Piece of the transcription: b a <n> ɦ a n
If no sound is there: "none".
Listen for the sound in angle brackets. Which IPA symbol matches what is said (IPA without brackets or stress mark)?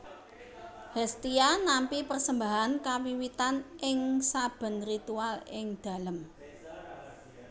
none